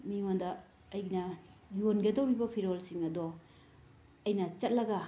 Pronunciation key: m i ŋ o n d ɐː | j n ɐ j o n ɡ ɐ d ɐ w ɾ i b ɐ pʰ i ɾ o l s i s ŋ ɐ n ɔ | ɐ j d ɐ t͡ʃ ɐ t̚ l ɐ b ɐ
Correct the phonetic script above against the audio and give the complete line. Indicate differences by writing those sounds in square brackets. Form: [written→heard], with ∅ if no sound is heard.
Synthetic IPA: m i ŋ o n d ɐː | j n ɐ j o n ɡ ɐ d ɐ w ɾ i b ɐ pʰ i ɾ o l s i [s→∅] ŋ ɐ [n→d] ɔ | ɐ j [d→n] ɐ t͡ʃ ɐ t̚ l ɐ [b→ɡ] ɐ